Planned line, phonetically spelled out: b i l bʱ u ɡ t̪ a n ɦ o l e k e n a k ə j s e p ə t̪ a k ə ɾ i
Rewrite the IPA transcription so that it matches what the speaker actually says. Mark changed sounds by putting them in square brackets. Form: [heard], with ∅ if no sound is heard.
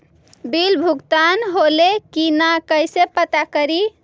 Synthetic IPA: b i l bʱ u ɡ t̪ a n ɦ o l e k [i] n a k ə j s e p ə t̪ a k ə ɾ i

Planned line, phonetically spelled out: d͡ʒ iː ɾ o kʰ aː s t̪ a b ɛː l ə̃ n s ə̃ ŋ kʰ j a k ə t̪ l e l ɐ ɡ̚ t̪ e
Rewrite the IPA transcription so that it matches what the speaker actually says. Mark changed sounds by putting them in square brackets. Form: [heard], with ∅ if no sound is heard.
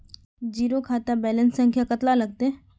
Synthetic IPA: d͡ʒ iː ɾ o kʰ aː [∅] t̪ a b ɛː l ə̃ n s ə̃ ŋ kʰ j a k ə t̪ l [a] l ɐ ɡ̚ t̪ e

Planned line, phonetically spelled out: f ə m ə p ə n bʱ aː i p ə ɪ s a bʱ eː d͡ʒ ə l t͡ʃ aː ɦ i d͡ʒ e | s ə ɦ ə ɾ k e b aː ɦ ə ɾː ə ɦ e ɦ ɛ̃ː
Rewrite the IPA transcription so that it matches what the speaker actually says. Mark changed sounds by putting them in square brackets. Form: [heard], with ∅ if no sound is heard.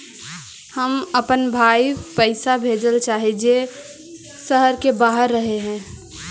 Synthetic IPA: [h] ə m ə p ə n bʱ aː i p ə ɪ s a bʱ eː d͡ʒ ə l t͡ʃ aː ɦ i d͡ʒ e | s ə ɦ ə ɾ k e b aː ɦ ə ɾː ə ɦ e ɦ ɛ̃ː

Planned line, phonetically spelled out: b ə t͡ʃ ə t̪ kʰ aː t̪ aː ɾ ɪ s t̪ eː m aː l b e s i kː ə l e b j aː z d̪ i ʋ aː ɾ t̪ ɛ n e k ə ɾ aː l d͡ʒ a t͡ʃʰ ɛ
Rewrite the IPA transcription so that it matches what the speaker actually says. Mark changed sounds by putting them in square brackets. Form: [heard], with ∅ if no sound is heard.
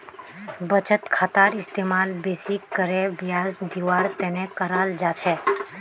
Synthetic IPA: b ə t͡ʃ ə t̪ kʰ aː t̪ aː ɾ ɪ s t̪ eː m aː l b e s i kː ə [ɾ] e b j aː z d̪ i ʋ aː ɾ t̪ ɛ n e k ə ɾ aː l d͡ʒ a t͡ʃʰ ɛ

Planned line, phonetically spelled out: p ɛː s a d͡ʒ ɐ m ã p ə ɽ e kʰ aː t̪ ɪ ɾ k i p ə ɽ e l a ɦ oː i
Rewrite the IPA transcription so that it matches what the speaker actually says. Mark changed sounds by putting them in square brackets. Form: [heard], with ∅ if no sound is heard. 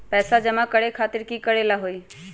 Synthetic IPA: p ɛː s a d͡ʒ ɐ m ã [k] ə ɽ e kʰ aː t̪ ɪ ɾ k i [k] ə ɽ e l a ɦ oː i

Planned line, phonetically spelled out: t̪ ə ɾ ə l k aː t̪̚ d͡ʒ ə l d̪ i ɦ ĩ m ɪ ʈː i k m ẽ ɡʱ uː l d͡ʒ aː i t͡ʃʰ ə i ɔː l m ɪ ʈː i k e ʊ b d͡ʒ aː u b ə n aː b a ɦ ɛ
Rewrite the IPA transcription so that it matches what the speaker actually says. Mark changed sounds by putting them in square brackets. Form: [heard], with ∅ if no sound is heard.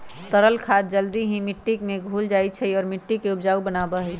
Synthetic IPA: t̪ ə ɾ ə l [kʰ] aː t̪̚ d͡ʒ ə l d̪ i ɦ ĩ m ɪ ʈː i k m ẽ ɡʱ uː l d͡ʒ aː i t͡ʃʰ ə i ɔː [ɾ] m ɪ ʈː i k e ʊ b d͡ʒ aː u b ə n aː b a ɦ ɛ

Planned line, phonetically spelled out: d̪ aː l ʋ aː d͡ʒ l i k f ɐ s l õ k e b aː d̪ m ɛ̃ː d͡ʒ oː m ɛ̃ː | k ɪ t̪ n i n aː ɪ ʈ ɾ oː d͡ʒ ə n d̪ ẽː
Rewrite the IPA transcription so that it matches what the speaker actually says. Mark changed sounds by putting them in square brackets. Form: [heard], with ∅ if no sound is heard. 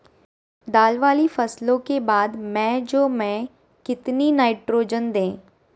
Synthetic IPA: d̪ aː l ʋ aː [∅] l i [∅] f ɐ s l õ k e b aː d̪ m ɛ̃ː d͡ʒ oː m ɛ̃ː | k ɪ t̪ n i n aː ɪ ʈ ɾ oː d͡ʒ ə n d̪ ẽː

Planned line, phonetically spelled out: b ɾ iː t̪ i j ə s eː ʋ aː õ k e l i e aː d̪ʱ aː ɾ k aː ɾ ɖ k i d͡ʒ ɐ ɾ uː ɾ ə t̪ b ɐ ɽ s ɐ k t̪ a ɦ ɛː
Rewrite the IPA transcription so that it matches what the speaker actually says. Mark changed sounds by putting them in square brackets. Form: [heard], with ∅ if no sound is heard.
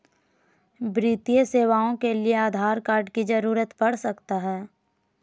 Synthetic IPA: b ɾ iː t̪ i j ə s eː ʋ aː õ k e l i e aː d̪ʱ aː ɾ k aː ɾ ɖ k i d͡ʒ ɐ ɾ uː ɾ ə t̪ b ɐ ɽ s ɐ k t̪ a ɦ ɛː

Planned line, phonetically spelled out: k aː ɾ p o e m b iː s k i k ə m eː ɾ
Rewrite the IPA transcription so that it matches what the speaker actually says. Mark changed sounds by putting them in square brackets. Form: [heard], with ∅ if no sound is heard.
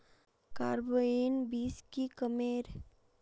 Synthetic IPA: k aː ɾ [b] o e [n] b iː s k i k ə m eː ɾ

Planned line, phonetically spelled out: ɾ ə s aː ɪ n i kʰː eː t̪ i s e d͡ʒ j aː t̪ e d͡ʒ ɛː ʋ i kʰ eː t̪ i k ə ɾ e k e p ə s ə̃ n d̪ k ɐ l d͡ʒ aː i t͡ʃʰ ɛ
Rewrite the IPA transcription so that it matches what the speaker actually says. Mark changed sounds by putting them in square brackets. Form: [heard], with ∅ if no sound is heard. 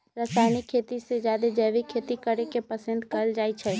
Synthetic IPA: ɾ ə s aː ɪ n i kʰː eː t̪ i s e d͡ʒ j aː [d̪] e d͡ʒ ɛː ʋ i kʰ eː t̪ i k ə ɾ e k e p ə s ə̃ n d̪ k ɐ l d͡ʒ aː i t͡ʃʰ ɛ

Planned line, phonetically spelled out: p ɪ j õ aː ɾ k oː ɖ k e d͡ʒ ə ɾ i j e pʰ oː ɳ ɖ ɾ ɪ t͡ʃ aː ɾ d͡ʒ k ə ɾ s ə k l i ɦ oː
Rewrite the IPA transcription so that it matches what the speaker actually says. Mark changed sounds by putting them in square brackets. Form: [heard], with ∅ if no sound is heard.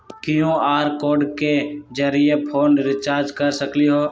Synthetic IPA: [k] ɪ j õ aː ɾ k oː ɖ k e d͡ʒ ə ɾ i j e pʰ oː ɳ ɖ ɾ ɪ t͡ʃ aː ɾ d͡ʒ k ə ɾ s ə k l i ɦ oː

